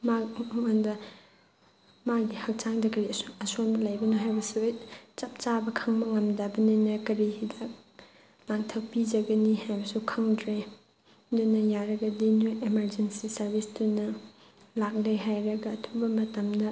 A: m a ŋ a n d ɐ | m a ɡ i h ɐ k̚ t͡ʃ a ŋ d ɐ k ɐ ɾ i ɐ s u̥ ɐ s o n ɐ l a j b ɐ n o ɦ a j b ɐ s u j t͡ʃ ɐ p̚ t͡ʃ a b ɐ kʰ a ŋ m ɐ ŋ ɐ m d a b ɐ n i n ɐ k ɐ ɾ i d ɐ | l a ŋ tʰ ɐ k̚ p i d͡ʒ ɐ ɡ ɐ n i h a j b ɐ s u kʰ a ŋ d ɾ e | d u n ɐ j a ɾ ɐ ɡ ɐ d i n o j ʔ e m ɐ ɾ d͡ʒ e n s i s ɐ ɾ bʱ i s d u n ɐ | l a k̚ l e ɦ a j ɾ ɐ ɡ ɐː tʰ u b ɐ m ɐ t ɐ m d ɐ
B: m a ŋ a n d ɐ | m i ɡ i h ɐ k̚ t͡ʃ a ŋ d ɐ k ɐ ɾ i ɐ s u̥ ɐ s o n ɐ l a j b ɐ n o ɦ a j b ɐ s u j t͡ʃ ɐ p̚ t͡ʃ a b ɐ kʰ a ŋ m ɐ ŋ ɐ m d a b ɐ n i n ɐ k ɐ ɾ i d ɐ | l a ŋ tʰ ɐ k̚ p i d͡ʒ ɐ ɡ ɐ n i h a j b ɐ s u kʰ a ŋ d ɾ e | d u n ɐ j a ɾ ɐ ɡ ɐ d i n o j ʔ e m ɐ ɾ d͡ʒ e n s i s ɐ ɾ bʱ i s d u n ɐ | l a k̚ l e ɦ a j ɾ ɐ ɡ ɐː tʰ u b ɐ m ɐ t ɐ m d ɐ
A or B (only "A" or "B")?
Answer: A